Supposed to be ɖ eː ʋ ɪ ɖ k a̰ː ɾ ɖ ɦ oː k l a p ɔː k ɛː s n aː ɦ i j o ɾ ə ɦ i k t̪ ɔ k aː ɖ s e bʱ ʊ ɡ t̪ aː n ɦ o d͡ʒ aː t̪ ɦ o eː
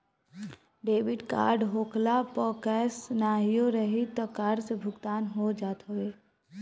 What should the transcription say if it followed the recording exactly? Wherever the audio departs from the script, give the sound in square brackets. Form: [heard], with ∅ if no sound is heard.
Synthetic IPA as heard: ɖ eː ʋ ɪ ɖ k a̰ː ɾ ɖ ɦ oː k l a p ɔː k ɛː s n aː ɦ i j o ɾ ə ɦ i [∅] t̪ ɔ k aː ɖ s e bʱ ʊ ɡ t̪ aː n ɦ o d͡ʒ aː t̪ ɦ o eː